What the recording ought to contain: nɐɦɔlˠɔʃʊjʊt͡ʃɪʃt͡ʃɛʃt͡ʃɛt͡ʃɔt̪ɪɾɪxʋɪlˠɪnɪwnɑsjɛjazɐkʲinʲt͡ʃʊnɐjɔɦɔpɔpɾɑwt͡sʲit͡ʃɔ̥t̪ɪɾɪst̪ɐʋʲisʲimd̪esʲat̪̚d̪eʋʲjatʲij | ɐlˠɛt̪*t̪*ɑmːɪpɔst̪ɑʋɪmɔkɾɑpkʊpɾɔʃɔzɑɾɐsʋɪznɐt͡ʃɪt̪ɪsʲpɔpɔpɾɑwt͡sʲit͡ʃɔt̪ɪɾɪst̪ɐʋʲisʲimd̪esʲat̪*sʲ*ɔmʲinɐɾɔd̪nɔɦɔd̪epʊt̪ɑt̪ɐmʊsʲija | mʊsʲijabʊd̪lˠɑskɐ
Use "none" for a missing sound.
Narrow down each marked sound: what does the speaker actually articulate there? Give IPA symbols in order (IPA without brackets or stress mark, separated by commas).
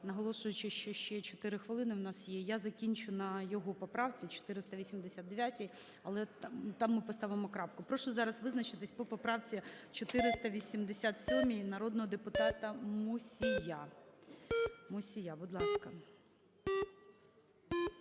t̪, sʲ